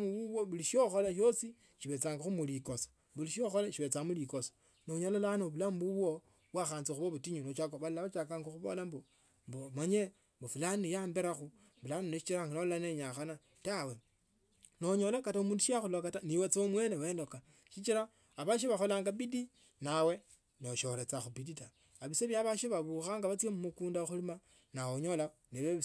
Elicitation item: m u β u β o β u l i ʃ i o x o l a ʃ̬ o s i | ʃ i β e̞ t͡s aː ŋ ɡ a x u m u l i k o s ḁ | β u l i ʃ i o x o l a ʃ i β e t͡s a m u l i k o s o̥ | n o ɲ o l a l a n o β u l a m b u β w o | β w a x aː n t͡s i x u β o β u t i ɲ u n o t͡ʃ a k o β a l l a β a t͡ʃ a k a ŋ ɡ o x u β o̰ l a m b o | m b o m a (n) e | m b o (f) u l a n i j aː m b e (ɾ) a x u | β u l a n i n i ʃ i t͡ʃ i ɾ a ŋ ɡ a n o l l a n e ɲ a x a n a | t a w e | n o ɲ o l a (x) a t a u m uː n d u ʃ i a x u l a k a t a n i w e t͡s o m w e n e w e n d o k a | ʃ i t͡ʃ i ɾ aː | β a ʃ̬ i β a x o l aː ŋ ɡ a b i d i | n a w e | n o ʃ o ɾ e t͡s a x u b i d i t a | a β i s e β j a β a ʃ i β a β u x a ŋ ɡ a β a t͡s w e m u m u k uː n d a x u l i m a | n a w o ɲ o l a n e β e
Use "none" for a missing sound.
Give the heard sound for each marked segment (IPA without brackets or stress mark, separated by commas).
ɲ, f, ɾ, k